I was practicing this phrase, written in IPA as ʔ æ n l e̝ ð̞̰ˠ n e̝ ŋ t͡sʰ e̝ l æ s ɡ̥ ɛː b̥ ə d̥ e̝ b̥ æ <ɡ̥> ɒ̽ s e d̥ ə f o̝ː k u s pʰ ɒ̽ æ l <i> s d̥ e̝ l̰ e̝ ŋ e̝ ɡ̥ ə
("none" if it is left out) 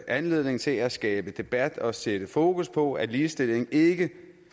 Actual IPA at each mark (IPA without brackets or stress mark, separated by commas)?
d̥, iː